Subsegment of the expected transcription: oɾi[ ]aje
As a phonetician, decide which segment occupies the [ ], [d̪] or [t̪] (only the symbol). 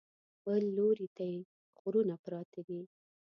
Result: t̪